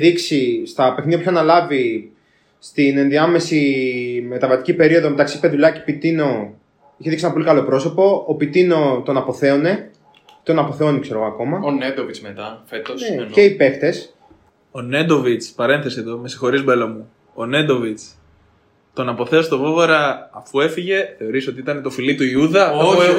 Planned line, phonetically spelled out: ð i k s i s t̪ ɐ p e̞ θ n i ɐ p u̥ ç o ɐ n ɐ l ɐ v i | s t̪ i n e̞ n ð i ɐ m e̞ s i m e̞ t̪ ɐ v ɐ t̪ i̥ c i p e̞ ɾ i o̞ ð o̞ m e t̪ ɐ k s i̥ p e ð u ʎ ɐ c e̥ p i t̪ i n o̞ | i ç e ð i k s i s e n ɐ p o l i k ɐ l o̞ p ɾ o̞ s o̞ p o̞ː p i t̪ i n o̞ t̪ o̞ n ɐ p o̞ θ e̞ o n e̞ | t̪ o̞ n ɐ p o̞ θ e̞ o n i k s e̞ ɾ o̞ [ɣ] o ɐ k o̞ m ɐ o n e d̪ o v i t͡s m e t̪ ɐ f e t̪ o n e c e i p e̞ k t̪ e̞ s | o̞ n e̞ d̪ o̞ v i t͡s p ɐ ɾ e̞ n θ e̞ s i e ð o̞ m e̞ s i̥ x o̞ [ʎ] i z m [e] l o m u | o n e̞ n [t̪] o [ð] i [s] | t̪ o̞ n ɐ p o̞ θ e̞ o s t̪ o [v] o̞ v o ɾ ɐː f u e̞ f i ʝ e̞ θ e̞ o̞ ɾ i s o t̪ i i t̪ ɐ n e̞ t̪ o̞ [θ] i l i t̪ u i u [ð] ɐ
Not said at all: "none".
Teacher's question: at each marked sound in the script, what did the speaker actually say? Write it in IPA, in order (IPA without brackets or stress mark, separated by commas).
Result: ɣ, ɾ, e, d̪, v, t͡s, v, f, ð